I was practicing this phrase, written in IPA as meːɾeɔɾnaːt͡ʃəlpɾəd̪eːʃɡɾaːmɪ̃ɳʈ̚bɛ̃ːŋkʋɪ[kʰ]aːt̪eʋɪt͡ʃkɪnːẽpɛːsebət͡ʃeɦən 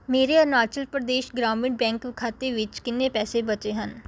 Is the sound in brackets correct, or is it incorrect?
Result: correct